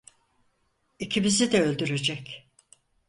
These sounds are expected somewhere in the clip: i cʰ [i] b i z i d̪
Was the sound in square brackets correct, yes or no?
yes